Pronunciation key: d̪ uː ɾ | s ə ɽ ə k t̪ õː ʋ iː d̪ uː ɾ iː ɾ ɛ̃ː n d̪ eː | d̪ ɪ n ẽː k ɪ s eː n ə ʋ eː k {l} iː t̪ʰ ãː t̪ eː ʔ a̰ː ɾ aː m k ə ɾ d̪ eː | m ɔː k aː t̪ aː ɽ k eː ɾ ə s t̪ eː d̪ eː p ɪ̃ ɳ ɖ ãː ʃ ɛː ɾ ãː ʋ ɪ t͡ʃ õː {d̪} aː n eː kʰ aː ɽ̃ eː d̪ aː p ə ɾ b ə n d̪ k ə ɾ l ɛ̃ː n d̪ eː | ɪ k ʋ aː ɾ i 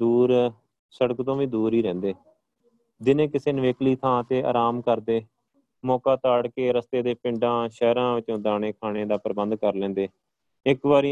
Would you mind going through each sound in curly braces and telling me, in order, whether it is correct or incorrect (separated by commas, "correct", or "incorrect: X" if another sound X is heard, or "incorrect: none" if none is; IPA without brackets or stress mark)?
correct, correct